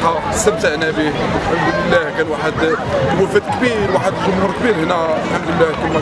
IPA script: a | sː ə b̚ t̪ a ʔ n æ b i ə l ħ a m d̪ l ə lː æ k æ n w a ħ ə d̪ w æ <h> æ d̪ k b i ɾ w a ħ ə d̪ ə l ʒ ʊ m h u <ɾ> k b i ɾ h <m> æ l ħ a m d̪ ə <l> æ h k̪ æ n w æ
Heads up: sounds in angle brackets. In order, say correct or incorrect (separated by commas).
incorrect, correct, incorrect, incorrect